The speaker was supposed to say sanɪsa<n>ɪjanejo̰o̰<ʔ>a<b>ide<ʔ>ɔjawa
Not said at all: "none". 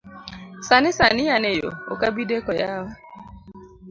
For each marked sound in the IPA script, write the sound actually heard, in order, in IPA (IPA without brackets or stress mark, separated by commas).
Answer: n, k, b, k